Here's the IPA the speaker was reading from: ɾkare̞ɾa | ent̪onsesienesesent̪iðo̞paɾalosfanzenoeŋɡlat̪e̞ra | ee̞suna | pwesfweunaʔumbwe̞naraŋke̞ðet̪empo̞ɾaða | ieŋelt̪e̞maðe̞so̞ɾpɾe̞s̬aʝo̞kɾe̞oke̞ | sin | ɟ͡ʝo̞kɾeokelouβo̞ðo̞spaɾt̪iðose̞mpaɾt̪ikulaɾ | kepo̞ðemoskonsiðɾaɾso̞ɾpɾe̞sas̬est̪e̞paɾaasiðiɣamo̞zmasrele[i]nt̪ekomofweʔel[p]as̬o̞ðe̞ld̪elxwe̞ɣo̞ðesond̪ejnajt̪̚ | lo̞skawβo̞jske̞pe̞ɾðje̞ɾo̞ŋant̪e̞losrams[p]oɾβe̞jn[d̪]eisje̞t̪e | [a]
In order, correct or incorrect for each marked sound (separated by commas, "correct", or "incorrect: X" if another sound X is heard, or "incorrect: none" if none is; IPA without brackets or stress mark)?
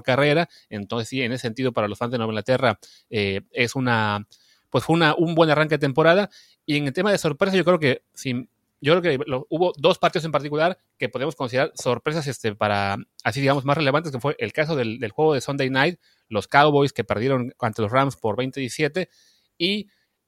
incorrect: a, incorrect: k, correct, incorrect: t̪, incorrect: i